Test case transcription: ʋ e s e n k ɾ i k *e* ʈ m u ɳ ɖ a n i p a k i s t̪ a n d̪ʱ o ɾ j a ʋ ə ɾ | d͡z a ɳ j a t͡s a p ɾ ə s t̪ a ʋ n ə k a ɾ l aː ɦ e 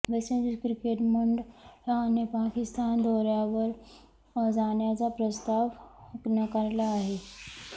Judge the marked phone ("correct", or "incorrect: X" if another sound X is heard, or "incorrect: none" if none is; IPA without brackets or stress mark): correct